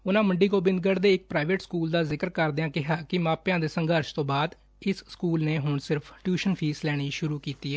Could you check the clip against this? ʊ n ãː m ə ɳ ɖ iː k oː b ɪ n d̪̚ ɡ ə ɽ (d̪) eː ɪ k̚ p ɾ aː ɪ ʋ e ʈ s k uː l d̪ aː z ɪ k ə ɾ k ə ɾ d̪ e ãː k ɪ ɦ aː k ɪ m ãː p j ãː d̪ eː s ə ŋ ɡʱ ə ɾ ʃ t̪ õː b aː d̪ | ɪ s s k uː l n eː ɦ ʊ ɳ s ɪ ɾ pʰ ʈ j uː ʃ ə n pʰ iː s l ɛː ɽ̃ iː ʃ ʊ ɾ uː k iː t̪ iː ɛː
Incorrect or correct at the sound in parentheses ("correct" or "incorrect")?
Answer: correct